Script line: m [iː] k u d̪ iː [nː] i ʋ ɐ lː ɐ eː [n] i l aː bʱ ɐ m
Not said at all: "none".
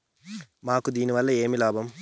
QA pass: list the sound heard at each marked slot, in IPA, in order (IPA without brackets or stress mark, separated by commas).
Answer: aː, n, m